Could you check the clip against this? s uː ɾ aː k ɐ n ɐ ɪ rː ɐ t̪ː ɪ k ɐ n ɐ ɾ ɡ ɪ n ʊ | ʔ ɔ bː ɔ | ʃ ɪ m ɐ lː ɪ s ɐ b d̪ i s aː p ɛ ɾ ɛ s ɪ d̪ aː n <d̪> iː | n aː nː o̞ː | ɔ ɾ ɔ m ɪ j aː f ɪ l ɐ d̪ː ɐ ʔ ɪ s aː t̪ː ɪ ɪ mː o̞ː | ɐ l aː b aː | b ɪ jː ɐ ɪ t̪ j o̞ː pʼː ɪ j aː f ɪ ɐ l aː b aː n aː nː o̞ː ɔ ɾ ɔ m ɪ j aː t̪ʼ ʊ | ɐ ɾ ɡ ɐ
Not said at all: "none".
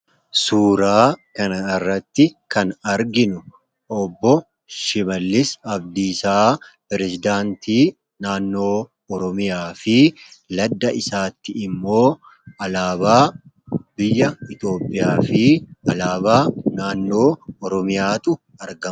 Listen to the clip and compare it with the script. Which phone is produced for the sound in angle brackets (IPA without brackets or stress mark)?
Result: t̪